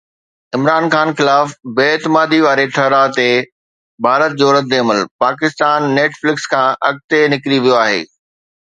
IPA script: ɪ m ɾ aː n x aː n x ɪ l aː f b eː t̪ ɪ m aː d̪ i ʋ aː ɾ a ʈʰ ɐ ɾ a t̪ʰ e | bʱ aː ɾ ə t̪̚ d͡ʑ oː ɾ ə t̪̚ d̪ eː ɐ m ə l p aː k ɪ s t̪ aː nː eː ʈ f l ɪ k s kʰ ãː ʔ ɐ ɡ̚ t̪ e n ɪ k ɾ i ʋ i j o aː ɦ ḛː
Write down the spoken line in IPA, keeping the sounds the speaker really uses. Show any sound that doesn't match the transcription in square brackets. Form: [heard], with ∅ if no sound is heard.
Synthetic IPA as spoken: ɪ m ɾ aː n x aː n x ɪ l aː f b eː t̪ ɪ m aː d̪ i ʋ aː ɾ [e] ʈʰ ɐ ɾ a [t̪] e | bʱ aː ɾ ə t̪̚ d͡ʑ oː ɾ ə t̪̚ d̪ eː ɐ m ə l p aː k ɪ s t̪ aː nː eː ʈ f l ɪ k s kʰ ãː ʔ ɐ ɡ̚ t̪ e n ɪ k ɾ i ʋ i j o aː ɦ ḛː